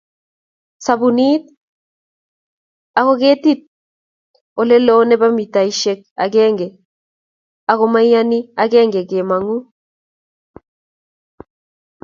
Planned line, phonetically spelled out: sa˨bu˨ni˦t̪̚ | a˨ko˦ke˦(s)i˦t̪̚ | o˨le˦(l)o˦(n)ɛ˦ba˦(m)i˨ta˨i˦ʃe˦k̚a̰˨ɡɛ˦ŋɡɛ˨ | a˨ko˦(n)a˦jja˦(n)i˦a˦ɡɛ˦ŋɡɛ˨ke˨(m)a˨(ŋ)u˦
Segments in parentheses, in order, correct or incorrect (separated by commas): incorrect, correct, correct, correct, incorrect, correct, correct, correct